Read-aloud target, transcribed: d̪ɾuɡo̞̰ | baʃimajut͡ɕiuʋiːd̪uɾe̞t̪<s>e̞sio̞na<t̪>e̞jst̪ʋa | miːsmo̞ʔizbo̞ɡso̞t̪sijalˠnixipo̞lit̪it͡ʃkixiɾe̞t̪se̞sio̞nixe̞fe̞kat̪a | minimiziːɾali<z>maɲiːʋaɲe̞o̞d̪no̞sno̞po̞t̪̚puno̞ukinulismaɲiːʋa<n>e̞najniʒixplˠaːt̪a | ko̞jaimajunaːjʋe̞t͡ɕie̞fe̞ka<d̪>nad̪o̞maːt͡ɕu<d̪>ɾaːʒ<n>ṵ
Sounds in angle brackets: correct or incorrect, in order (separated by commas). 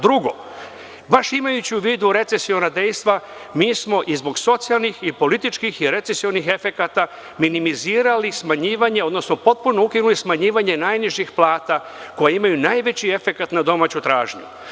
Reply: correct, incorrect, incorrect, incorrect, incorrect, incorrect, incorrect